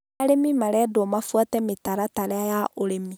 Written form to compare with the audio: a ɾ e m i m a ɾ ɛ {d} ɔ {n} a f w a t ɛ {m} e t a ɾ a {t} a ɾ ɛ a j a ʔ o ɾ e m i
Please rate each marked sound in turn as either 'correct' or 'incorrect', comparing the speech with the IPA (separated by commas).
correct, incorrect, correct, correct